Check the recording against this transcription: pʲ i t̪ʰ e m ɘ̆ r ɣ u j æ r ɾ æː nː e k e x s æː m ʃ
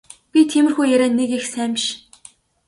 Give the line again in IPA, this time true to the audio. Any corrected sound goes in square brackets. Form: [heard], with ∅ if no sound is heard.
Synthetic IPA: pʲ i t̪ʰ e m ɘ̆ r [x] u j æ [∅] ɾ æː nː e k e x s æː m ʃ